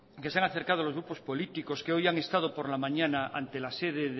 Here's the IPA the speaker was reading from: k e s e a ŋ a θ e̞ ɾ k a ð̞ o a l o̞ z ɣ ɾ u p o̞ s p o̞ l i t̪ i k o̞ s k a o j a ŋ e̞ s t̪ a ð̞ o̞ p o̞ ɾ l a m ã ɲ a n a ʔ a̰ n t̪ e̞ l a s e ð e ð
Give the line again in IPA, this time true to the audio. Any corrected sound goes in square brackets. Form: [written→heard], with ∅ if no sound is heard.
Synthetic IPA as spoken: k e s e a ŋ a θ e̞ ɾ k a ð̞ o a l o̞ z ɣ ɾ u p o̞ s p o̞ l i t̪ i k o̞ s k [a→e] o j a ŋ e̞ s t̪ a ð̞ o̞ p o̞ ɾ l a m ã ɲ a n a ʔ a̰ n t̪ e̞ l a s e ð e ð

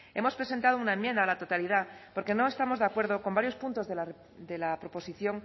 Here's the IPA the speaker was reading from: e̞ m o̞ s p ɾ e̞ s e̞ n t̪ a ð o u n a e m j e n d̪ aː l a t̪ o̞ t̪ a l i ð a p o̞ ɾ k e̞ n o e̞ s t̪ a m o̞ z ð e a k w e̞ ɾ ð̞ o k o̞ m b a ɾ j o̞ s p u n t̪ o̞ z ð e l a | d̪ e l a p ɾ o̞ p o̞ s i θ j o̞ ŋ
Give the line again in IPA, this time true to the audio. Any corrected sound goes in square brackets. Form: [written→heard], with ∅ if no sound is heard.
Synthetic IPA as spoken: e̞ m o̞ s p ɾ e̞ s e̞ n t̪ a ð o u n a e m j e n d̪ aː l a t̪ o̞ t̪ a l i ð a p o̞ ɾ k e̞ n o e̞ s t̪ a m o̞ z ð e a k w e̞ ɾ ð̞ o k o̞ m b a ɾ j o̞ s p u n t̪ o̞ z ð e l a | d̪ e l a p ɾ o̞ p o̞ s i θ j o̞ ŋ

